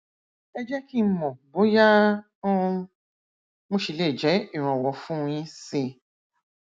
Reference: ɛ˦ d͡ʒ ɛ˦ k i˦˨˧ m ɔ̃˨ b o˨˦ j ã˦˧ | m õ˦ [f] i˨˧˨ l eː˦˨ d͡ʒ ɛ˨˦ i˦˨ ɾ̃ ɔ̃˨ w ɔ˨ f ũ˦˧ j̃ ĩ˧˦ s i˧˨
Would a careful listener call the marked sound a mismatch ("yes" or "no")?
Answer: yes